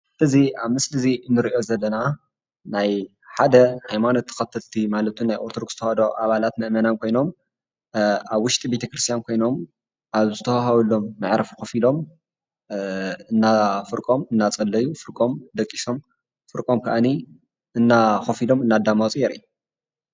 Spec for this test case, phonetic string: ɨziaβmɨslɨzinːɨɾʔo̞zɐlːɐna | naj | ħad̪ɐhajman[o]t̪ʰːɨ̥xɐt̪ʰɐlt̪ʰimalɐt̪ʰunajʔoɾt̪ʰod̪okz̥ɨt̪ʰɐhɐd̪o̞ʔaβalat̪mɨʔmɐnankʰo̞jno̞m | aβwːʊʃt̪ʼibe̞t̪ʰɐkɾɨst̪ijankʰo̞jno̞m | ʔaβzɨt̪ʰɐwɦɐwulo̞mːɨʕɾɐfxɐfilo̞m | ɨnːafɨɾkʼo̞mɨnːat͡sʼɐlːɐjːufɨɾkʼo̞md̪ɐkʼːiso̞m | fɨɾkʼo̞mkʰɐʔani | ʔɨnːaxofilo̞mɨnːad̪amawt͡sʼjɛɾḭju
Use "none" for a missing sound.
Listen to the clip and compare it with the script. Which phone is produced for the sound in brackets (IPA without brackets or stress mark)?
o